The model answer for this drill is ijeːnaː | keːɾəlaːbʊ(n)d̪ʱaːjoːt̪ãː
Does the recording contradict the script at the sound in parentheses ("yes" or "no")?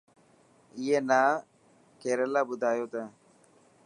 yes